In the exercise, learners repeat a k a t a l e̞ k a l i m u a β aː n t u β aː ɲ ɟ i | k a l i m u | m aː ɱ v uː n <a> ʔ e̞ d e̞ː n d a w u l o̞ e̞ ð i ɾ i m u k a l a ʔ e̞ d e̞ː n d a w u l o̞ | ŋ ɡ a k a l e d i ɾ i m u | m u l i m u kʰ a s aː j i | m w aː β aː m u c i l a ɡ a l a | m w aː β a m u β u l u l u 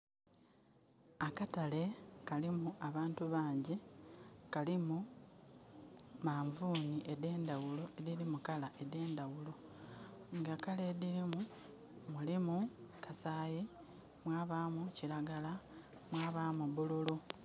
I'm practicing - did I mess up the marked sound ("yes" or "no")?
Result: yes